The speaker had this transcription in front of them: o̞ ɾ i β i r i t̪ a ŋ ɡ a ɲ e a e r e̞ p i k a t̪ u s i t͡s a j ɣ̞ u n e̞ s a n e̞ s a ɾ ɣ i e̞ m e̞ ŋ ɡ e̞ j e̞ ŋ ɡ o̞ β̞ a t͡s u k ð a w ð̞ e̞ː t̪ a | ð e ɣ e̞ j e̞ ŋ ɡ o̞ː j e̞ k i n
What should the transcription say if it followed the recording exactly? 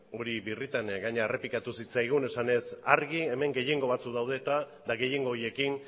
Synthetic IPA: o̞ ɾ i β i r i t̪ a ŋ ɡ a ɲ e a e r e̞ p i k a t̪ u s i t͡s a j ɣ̞ u n e̞ s a n e̞ s a ɾ ɣ i e̞ m e̞ ŋ ɡ e̞ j e̞ ŋ ɡ o̞ β̞ a t͡s u k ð a w ð̞ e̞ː t̪ a | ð a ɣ e̞ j e̞ ŋ ɡ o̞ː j e̞ k i n